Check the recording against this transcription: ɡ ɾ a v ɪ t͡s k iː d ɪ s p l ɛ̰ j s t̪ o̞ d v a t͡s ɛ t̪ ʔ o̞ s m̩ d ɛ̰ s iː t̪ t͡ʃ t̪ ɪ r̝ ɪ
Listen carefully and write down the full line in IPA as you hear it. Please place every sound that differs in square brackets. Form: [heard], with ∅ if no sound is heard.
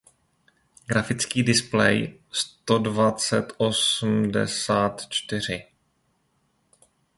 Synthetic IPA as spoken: ɡ ɾ a [f] ɪ t͡s k iː d ɪ s p l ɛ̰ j s t̪ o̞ d v a t͡s ɛ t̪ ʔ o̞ s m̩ d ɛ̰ s [aː] t̪ t͡ʃ t̪ ɪ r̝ ɪ